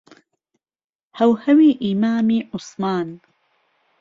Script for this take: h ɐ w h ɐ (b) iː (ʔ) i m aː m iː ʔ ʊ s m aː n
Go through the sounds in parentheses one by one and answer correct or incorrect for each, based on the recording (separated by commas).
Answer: incorrect, correct